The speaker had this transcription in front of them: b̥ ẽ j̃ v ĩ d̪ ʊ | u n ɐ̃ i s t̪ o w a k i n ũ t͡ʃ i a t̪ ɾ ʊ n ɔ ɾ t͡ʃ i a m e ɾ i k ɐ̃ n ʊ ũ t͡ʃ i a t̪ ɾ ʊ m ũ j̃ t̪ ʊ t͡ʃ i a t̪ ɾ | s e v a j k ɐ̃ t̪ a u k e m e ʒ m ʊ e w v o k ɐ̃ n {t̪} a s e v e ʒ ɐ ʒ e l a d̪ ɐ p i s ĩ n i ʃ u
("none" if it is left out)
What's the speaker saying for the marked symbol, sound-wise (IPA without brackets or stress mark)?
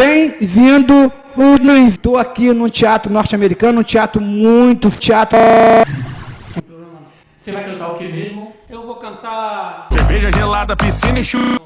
t̪